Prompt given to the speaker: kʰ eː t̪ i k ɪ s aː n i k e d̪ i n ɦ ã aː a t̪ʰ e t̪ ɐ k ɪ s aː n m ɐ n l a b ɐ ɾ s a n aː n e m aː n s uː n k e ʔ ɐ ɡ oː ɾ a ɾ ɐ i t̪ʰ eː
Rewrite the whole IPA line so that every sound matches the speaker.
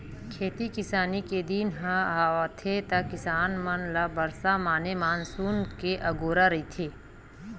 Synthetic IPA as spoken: kʰ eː t̪ i k ɪ s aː n i k e d̪ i n ɦ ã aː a t̪ʰ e t̪ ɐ k ɪ s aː n m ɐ n l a b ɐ ɾ s a m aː n e m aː n s uː n k e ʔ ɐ ɡ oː ɾ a ɾ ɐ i t̪ʰ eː